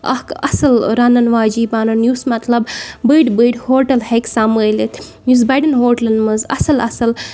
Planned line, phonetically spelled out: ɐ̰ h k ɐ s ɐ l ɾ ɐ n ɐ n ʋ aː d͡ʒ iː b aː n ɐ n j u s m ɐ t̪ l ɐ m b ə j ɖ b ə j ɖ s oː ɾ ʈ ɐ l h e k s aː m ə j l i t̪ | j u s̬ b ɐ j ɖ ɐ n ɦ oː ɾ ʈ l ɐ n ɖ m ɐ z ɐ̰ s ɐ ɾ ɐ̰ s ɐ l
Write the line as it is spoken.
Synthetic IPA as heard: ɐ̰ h k ɐ s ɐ l ɾ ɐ n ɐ n ʋ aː d͡ʒ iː b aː n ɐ n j u s m ɐ t̪ l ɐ b b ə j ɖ b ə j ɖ h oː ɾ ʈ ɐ l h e k s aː m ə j l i t̪ | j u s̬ b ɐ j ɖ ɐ n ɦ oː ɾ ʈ l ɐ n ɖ m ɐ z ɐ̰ s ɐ l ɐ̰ s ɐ l

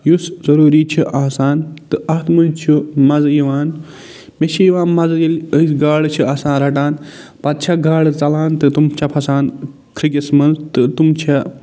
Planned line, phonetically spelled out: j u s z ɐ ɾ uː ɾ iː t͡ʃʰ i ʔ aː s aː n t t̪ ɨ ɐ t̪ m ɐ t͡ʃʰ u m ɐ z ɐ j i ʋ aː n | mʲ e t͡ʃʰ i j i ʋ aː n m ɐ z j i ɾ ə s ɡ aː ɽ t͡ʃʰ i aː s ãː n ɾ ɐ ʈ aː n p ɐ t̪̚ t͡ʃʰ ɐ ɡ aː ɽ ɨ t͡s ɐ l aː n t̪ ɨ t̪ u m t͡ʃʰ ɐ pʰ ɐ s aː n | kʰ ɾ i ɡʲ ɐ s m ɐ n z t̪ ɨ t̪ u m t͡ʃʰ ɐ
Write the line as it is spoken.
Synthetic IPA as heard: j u s z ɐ ɾ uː ɾ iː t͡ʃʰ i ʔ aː s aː n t t̪ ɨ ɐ t̪ m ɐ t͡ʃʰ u m ɐ z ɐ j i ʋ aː n | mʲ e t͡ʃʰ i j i ʋ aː n m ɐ z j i l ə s ɡ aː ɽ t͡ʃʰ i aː s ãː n ɾ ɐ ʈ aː n p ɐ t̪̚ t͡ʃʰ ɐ ɡ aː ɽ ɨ t͡s ɐ l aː n t̪ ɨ t̪ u m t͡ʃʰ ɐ pʰ ɐ s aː n | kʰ ɾ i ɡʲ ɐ s m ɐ n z t̪ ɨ t̪ u m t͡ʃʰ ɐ

